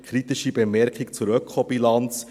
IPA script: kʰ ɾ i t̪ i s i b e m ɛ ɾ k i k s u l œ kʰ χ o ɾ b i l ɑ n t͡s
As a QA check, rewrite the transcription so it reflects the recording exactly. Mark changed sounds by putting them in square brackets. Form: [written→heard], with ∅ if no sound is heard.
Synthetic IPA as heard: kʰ ɾ i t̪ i [s→ʃ] i b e m ɛ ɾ k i k [s→t͡s] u [l→ɾ] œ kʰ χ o [ɾ→∅] b i l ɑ n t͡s